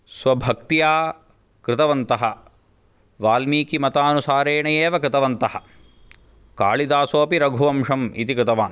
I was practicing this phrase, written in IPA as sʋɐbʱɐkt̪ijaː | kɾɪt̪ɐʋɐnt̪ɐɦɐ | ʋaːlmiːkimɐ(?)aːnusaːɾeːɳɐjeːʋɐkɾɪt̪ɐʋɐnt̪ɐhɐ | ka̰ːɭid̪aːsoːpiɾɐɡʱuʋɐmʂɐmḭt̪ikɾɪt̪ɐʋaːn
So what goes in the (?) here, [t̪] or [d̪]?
t̪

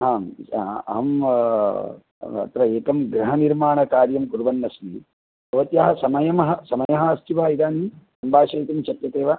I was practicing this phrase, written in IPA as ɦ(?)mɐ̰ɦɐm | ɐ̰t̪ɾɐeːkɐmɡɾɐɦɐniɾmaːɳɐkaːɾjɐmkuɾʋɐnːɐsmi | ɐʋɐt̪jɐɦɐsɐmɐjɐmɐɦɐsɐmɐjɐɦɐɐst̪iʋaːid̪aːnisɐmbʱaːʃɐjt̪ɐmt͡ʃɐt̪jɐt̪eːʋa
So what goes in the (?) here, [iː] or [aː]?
aː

